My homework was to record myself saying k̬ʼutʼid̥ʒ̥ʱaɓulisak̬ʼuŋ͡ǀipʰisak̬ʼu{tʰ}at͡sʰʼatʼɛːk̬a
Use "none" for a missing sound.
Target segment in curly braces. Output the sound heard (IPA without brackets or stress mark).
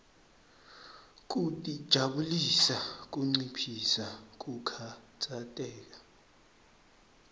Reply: kʰ